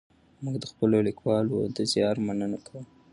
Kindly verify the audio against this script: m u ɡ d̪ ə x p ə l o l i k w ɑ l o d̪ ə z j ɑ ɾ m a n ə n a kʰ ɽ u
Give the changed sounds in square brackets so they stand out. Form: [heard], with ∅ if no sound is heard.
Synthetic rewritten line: m u ɡ d̪ ə x p ə l o l i k w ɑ l o d̪ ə z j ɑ ɾ m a n ə n a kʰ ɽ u